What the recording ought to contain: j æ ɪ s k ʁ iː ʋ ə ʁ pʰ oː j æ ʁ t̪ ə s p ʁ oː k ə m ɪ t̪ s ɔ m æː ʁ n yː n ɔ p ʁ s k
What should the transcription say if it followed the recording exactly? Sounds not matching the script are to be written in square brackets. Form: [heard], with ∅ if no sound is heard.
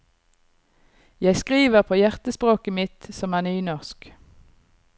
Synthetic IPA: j æ ɪ s k ʁ iː ʋ ə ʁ pʰ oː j æ ʁ t̪ ə s p ʁ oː k ə m ɪ t̪ s ɔ m æː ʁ n yː n ɔ [∅] ʁ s k